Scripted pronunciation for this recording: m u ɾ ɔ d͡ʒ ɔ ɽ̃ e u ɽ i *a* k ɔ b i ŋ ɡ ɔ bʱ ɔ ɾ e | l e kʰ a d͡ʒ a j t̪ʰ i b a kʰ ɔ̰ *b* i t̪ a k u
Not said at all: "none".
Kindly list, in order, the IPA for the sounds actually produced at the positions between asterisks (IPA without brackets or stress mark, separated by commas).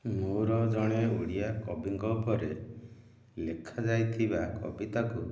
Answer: a, b